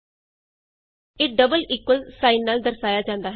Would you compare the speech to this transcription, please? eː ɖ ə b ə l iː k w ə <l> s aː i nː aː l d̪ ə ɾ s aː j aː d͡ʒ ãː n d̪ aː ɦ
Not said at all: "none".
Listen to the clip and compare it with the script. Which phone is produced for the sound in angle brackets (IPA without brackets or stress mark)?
l